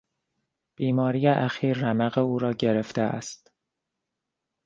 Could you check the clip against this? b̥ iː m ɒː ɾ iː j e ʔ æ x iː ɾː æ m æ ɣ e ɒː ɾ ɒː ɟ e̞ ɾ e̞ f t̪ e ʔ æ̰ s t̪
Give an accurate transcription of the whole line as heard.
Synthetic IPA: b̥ iː m ɒː ɾ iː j e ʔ æ x iː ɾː æ m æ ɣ e uː ɾ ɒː ɟ e̞ ɾ e̞ f t̪ e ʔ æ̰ s t̪